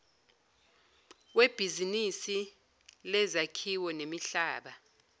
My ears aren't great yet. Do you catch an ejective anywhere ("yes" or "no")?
no